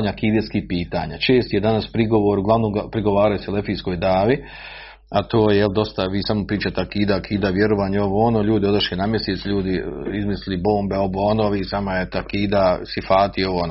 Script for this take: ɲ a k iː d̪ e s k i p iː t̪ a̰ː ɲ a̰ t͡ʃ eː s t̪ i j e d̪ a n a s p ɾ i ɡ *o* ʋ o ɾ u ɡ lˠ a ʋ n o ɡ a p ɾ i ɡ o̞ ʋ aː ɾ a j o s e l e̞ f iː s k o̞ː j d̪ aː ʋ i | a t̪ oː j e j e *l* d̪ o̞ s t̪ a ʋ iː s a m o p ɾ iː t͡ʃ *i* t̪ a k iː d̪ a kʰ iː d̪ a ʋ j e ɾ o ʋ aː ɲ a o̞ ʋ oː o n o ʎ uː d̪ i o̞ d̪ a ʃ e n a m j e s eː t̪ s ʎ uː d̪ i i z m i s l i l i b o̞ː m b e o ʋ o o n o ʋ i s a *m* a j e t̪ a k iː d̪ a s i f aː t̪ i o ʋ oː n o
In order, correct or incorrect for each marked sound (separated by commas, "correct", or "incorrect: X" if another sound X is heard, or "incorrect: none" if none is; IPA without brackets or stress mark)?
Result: correct, correct, incorrect: a, correct